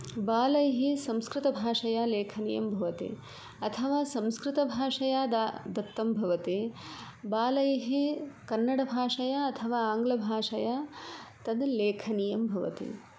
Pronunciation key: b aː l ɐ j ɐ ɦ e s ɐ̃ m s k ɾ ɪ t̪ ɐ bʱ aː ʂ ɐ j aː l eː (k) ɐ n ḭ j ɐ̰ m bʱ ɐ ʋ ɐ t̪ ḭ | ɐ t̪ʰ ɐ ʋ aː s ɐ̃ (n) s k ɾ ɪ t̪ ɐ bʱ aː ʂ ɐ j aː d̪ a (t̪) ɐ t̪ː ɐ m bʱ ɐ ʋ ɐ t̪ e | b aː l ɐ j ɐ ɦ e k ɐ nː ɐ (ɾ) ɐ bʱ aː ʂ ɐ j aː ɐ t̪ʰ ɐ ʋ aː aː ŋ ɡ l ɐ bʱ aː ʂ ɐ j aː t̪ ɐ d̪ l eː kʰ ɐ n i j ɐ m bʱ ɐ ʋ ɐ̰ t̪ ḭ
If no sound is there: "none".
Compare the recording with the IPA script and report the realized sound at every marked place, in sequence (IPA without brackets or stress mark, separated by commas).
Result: kʰ, m, d̪, ɽ